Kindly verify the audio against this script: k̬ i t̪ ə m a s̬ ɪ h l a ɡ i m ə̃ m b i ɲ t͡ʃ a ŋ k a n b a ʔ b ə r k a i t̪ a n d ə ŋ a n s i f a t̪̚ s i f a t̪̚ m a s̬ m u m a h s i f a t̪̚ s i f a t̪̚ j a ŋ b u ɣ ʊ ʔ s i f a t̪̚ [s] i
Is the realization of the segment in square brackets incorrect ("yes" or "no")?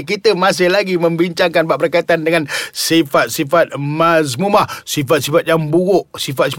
no